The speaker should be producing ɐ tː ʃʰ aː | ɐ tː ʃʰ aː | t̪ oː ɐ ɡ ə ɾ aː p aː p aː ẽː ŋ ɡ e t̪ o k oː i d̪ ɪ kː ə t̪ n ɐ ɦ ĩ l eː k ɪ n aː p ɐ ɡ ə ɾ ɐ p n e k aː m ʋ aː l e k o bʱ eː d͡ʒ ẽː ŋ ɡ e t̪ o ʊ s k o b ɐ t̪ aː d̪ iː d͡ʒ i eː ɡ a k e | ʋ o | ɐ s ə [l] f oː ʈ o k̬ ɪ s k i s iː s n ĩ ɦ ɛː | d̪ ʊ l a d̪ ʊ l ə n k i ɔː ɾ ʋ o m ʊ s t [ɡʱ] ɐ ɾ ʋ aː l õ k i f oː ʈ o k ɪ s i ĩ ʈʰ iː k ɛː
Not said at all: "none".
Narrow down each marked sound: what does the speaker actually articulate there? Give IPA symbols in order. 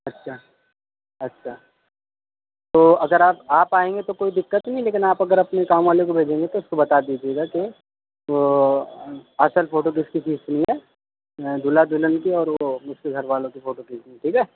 l, ɡʱ

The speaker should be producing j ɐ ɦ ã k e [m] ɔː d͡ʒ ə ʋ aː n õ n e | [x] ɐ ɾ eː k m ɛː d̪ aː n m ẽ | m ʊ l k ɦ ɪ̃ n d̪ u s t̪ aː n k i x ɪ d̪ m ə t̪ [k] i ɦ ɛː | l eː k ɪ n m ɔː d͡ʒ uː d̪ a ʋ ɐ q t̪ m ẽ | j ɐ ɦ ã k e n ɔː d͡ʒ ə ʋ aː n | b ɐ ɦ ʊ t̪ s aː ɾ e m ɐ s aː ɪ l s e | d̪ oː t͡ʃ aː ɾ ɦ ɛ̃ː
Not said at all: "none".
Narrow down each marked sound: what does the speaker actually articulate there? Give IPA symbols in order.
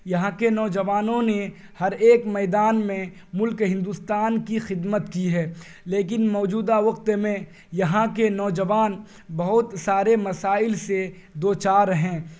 n, h, k

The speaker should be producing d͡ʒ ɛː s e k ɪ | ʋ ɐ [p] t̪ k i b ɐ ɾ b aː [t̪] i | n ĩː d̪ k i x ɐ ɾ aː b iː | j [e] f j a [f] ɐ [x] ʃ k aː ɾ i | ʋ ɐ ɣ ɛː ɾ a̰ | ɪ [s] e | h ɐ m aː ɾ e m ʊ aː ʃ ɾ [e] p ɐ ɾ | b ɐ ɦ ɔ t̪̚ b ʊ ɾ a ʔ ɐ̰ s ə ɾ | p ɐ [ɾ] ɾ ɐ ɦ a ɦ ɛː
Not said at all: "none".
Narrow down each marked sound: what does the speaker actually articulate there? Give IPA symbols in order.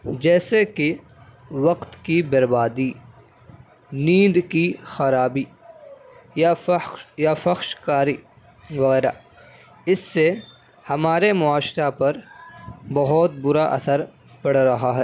q, d̪, a, f, x, sː, a, ɽ

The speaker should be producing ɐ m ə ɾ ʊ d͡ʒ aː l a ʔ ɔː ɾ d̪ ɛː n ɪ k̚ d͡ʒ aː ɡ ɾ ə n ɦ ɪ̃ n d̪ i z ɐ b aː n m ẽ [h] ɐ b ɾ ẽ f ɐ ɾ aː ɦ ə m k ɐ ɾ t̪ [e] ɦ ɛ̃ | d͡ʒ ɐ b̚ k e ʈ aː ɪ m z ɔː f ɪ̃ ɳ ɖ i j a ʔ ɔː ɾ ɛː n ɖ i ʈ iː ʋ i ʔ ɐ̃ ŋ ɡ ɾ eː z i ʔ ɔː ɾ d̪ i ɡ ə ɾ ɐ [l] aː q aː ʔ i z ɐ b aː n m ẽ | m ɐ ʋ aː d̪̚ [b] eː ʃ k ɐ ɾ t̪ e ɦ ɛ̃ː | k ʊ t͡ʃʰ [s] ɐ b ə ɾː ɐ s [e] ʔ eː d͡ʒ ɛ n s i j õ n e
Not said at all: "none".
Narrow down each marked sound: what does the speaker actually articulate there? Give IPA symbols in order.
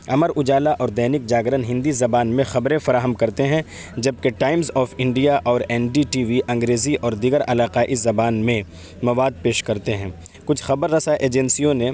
x, e, l, p, x, a

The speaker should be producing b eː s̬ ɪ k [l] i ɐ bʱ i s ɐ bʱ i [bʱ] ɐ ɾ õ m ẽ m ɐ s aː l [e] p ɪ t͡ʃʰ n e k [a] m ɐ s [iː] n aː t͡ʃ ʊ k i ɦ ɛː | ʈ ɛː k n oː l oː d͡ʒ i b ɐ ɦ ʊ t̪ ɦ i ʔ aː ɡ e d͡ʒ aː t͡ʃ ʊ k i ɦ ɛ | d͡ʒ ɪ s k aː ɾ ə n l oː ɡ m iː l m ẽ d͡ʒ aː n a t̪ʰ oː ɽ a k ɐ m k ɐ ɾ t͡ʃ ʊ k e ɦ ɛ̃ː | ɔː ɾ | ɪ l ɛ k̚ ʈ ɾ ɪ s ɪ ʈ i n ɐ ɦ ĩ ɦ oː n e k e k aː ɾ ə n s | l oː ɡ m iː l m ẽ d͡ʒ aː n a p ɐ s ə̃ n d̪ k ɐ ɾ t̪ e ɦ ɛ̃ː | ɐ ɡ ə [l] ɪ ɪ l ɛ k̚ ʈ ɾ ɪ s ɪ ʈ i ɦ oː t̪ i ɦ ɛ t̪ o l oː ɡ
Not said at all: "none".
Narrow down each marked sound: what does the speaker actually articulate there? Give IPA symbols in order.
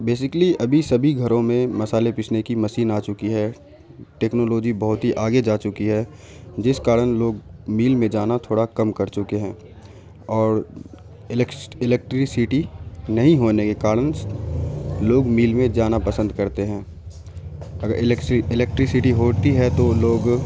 l, ɡʱ, e, i, iː, ɾ

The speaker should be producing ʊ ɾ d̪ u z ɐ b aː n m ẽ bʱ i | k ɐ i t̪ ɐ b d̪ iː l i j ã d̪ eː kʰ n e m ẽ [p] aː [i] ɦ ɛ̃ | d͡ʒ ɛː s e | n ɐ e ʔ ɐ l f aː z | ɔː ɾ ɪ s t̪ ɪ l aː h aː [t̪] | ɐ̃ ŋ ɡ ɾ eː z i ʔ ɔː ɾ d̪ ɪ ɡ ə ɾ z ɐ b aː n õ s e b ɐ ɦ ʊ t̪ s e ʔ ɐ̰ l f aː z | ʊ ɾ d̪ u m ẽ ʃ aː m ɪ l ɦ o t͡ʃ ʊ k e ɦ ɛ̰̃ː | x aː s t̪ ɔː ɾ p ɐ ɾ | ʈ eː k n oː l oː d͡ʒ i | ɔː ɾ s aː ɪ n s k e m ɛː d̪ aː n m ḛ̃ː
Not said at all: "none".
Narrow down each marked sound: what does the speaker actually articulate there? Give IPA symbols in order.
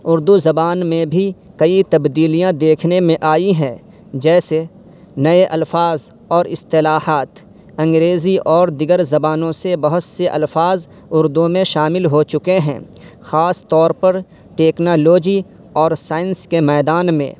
ʔ, i, t̪

